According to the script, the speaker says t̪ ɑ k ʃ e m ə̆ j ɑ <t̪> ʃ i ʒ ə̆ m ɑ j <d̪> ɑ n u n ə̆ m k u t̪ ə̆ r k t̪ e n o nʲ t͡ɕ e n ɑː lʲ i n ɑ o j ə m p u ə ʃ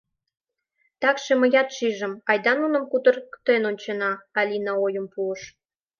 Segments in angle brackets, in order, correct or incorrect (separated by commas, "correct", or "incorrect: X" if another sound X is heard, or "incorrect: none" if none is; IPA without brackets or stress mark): correct, correct